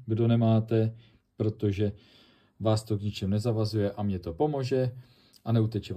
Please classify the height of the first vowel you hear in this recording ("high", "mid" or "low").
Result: mid